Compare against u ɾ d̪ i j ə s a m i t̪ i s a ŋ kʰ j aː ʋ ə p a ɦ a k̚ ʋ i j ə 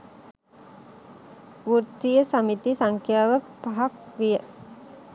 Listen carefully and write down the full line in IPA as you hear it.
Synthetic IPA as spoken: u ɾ t̪ i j ə s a m i t̪ i s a ŋ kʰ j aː ʋ ə p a ɦ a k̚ ʋ i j ə